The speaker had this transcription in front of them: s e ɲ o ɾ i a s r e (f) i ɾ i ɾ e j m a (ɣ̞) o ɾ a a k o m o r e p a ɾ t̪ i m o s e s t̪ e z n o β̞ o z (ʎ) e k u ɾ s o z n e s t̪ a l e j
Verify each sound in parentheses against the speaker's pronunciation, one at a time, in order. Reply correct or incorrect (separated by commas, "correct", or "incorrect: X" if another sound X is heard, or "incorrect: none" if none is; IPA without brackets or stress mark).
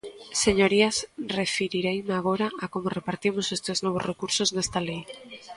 correct, correct, incorrect: r